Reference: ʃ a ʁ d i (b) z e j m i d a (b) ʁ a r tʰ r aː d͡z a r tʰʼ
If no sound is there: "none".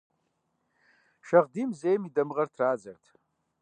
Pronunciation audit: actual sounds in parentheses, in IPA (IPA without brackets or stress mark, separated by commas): m, m